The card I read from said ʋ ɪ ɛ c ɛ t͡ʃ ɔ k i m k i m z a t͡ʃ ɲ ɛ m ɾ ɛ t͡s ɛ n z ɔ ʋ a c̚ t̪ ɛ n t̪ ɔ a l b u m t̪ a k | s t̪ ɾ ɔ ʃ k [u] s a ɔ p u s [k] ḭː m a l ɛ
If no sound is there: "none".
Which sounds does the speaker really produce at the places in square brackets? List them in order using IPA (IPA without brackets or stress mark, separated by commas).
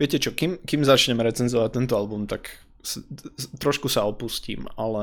u, c